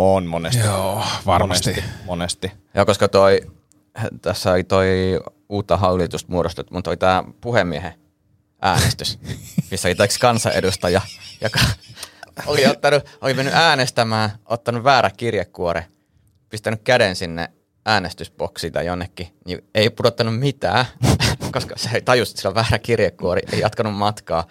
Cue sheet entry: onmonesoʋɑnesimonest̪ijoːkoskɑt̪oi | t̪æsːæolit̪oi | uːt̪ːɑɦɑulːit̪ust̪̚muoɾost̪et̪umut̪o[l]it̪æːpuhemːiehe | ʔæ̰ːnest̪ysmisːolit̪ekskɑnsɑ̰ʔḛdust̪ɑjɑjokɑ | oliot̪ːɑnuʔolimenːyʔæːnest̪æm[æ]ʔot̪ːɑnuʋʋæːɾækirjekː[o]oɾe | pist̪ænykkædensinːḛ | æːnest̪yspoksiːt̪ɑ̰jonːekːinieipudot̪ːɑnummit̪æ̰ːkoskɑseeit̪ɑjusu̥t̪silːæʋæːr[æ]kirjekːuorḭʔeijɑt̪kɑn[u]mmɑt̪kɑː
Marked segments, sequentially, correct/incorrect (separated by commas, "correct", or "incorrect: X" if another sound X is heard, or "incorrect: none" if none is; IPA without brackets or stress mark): correct, incorrect: æː, incorrect: u, correct, correct